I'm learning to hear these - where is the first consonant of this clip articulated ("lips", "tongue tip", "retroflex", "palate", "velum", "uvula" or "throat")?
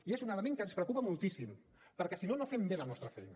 tongue tip